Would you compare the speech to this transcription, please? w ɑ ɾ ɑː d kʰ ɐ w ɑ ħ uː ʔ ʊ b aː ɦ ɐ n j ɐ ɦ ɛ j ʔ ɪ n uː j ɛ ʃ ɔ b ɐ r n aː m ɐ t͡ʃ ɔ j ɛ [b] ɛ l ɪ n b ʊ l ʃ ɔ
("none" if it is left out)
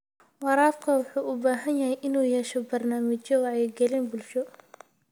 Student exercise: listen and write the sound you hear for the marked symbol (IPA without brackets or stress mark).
ɡ